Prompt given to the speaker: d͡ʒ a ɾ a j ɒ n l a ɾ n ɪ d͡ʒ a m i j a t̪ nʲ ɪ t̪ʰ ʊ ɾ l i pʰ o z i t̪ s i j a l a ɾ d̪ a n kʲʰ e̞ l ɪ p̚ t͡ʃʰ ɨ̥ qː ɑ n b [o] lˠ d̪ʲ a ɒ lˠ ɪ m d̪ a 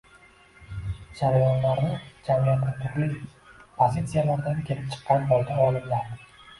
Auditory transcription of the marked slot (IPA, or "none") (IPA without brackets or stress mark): ɒ